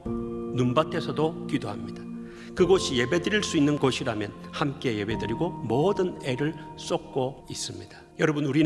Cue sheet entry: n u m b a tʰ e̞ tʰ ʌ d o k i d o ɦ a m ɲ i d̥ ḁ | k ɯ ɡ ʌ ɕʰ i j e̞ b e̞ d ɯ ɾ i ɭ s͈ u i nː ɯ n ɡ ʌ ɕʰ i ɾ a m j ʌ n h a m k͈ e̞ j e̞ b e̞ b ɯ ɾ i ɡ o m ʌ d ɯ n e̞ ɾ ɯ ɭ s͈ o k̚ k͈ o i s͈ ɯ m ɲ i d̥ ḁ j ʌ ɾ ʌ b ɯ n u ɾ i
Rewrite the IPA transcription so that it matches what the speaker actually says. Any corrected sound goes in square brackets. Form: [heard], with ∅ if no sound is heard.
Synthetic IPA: n u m b a tʰ e̞ [sʰ] ʌ d o k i d o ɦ a m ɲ i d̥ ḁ | k ɯ ɡ ʌ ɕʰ i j e̞ b e̞ d ɯ ɾ i ɭ s͈ u i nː ɯ n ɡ ʌ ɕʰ i ɾ a m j ʌ n h a m k͈ e̞ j e̞ b e̞ [d] ɯ ɾ i ɡ o m ʌ d ɯ n e̞ ɾ ɯ ɭ s͈ o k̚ k͈ o i s͈ ɯ m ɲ i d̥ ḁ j ʌ ɾ ʌ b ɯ n u ɾ i

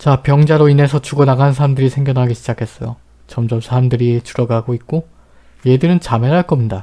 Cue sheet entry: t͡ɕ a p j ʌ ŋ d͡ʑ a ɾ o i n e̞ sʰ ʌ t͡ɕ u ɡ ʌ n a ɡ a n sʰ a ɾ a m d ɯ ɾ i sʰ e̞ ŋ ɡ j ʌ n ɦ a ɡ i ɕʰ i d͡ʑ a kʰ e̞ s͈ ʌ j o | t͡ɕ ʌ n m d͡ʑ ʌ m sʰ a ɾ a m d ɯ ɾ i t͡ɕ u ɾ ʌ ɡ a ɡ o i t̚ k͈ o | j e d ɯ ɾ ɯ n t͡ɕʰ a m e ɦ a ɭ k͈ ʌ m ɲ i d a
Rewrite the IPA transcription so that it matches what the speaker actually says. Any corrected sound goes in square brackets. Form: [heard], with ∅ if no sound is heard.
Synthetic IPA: t͡ɕ a p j ʌ ŋ d͡ʑ a ɾ o i n e̞ sʰ ʌ t͡ɕ u ɡ ʌ n a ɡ a n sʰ a ɾ a m d ɯ ɾ i sʰ e̞ ŋ ɡ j ʌ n ɦ a ɡ i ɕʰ i d͡ʑ a kʰ e̞ s͈ ʌ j o | t͡ɕ ʌ [∅] m d͡ʑ ʌ m sʰ a ɾ a m d ɯ ɾ i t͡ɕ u ɾ ʌ ɡ a ɡ o i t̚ k͈ o | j e d ɯ ɾ ɯ n [t͡ɕ] a m e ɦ a ɭ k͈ ʌ m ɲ i d a

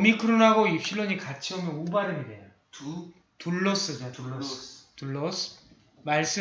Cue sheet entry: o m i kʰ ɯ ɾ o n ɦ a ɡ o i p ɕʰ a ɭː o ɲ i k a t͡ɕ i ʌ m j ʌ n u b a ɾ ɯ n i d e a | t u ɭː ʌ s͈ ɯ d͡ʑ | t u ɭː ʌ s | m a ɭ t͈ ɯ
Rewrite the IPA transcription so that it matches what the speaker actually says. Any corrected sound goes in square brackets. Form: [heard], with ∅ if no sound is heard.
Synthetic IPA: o m i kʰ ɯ ɾ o n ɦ a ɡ o i p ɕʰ [i] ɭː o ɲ i k a [t͡ɕʰ] i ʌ m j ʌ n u b a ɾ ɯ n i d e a | t u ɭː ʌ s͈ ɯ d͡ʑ | t u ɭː ʌ s | m a ɭ [s͈] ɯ

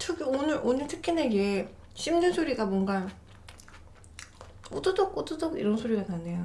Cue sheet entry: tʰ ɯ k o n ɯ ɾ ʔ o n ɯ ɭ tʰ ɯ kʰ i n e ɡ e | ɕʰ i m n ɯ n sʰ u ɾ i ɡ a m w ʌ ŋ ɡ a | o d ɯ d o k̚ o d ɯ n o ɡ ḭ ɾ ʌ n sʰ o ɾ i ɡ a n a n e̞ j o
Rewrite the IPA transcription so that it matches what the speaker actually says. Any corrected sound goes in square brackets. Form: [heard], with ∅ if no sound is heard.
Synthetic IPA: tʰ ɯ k o n ɯ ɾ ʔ o n ɯ ɭ tʰ ɯ kʰ i n e ɡ e | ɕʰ i m [d] ɯ n sʰ [o] ɾ i ɡ a m w ʌ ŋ ɡ a | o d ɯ d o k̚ o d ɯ [d] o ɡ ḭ ɾ ʌ n sʰ o ɾ i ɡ a n a n e̞ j o

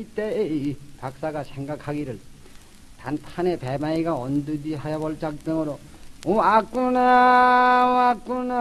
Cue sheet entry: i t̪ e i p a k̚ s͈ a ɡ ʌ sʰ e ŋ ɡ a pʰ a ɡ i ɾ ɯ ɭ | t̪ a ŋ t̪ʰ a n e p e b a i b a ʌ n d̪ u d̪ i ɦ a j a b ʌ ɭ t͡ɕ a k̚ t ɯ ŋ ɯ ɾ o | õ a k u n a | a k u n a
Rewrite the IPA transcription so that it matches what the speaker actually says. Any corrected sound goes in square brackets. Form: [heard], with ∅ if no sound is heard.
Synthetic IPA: i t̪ e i p a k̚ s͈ a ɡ [a] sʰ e ŋ ɡ a [kʰ] a ɡ i ɾ ɯ ɭ | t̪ a [n] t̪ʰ a n e p e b a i [ɡ] a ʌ n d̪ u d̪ i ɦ a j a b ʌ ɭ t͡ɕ a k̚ t ɯ ŋ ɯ ɾ o | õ a k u n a | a k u n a

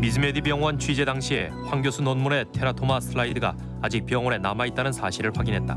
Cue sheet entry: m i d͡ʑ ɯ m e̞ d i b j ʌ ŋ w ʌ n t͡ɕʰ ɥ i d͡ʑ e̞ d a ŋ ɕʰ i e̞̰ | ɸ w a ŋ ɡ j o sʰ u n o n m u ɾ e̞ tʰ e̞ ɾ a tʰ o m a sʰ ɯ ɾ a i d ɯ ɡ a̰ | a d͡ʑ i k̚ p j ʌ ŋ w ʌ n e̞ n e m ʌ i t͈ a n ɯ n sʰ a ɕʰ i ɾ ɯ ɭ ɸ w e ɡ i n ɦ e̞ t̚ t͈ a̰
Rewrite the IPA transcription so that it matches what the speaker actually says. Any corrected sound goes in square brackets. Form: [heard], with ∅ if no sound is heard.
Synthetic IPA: m i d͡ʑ ɯ m e̞ d i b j ʌ ŋ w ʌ n t͡ɕʰ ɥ i d͡ʑ e̞ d a ŋ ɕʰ i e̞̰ | ɸ w a ŋ ɡ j o sʰ u n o n m u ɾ e̞ tʰ e̞ ɾ a tʰ o m a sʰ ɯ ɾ a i d ɯ ɡ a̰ | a d͡ʑ i k̚ p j ʌ ŋ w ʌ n e̞ n [a] m [a] i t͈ a n ɯ n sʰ a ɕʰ i ɾ ɯ ɭ ɸ w [a] ɡ i n ɦ e̞ t̚ t͈ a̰

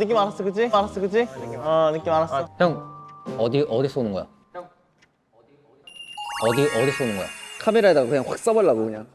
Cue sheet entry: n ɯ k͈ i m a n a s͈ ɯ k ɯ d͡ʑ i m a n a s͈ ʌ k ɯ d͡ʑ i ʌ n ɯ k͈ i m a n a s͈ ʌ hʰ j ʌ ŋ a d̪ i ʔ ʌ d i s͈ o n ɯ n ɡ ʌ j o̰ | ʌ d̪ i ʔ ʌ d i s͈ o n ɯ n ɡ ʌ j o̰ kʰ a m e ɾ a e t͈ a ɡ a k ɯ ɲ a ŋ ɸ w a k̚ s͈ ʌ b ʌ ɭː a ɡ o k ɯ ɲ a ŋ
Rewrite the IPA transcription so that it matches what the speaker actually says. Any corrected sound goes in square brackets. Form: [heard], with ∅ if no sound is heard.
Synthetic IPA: n ɯ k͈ i m a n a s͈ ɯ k ɯ d͡ʑ i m a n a s͈ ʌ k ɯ d͡ʑ i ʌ n ɯ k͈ i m a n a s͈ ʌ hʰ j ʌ ŋ [ʌ] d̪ i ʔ ʌ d i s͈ o n ɯ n ɡ ʌ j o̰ | ʌ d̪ i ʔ ʌ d i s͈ o n ɯ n ɡ ʌ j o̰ kʰ a m e ɾ a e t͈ a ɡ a k ɯ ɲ a ŋ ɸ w a k̚ s͈ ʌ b ʌ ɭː a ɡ o k ɯ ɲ a ŋ

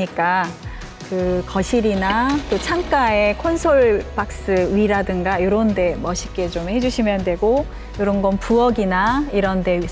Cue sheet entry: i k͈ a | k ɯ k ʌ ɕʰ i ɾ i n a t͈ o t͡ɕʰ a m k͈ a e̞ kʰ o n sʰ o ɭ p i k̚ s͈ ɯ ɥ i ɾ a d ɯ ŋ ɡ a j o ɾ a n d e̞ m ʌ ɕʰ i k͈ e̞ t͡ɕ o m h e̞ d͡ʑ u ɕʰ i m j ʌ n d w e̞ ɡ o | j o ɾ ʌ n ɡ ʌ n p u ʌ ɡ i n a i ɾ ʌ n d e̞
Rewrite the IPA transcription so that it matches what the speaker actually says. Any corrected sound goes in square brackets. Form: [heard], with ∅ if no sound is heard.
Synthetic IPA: i k͈ a | k ɯ k ʌ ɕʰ i ɾ i n a t͈ o t͡ɕʰ a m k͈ a e̞ kʰ o n sʰ o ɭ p [a] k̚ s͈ ɯ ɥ i ɾ a d ɯ ŋ ɡ a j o ɾ [ʌ] n d e̞ m ʌ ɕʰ i k͈ e̞ t͡ɕ o m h e̞ d͡ʑ u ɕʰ i m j ʌ n d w e̞ ɡ o | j o ɾ ʌ n ɡ ʌ n p u ʌ ɡ i n a i ɾ ʌ n d e̞

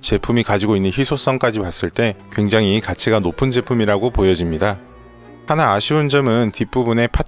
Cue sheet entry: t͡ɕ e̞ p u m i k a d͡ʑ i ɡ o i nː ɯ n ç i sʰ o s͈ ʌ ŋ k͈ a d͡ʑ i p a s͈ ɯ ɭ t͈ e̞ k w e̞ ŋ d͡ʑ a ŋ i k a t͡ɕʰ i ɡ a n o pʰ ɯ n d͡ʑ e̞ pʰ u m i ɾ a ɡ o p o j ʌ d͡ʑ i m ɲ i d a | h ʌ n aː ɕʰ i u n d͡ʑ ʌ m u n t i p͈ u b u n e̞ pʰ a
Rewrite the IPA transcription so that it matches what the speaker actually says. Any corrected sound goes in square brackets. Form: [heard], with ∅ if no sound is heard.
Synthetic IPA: t͡ɕ e̞ [pʰ] u m i k a d͡ʑ i ɡ o i nː ɯ n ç i sʰ o s͈ ʌ ŋ k͈ a d͡ʑ i p a s͈ ɯ ɭ t͈ e̞ k w e̞ ŋ d͡ʑ a ŋ i k a t͡ɕʰ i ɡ a n o pʰ ɯ n d͡ʑ e̞ pʰ u m i ɾ a ɡ o p o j ʌ d͡ʑ i m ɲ i d a | h [a] n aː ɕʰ i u n d͡ʑ ʌ m [ɯ] n t i p͈ u b u n e̞ pʰ a

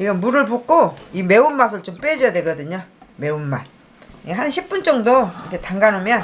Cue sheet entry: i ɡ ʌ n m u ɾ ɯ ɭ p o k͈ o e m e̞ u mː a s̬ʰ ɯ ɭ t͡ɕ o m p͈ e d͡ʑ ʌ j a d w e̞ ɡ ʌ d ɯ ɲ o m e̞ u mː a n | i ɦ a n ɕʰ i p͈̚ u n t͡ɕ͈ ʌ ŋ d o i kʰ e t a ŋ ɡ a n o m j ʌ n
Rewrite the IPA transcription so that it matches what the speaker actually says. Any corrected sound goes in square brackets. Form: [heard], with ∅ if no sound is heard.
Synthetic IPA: i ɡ ʌ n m u ɾ ɯ ɭ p o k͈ o [i] m e̞ u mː a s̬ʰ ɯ ɭ t͡ɕ o m p͈ e d͡ʑ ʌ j a d w e̞ ɡ ʌ d ɯ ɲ o m e̞ u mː a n | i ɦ a n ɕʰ i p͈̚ u n t͡ɕ͈ ʌ ŋ d o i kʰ e t a ŋ ɡ a n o m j ʌ n

